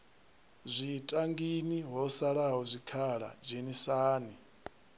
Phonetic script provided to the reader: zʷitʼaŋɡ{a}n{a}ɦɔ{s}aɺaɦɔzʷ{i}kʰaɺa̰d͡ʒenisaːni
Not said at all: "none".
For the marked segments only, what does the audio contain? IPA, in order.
i, i, s, i

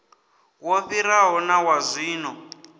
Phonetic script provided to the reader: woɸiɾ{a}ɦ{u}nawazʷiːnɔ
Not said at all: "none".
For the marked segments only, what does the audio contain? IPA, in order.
a, ɔ

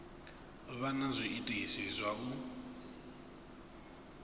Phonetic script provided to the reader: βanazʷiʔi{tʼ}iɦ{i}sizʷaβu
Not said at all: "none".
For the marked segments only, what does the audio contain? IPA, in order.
tʼ, i

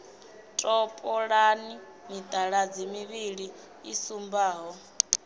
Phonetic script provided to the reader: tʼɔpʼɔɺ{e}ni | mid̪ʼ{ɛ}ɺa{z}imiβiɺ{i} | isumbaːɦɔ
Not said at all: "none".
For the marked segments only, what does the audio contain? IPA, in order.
a, a, d͡z, i

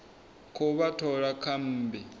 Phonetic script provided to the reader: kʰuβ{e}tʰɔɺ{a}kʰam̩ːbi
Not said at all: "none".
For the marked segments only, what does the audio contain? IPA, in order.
a, a

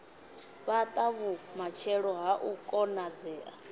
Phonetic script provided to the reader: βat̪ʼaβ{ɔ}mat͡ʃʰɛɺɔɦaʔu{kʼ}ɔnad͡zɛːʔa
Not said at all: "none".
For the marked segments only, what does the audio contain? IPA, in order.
u, kʼ

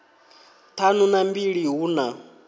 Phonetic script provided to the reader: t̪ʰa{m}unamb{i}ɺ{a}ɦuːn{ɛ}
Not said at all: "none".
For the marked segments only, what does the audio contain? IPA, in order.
n, i, i, a

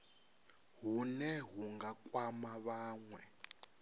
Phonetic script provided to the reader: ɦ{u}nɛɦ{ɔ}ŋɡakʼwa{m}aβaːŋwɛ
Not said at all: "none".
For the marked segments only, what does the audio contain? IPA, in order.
u, u, m

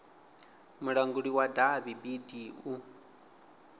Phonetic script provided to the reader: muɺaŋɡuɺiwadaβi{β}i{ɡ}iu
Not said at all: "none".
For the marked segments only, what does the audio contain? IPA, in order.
b, d

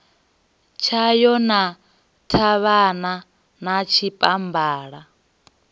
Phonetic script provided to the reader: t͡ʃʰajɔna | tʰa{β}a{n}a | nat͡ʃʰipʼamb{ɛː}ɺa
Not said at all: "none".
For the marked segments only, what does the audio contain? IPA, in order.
β, n, aː

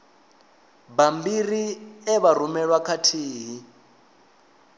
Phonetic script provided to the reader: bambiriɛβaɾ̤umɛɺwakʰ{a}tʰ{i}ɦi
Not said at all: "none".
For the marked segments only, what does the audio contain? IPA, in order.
a, iː

